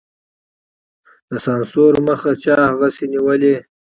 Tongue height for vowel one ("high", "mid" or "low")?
mid